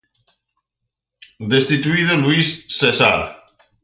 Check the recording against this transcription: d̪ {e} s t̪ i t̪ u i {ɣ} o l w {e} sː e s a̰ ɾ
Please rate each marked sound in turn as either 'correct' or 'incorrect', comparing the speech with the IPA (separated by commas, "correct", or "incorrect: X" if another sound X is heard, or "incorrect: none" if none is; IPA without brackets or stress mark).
correct, incorrect: ð, incorrect: i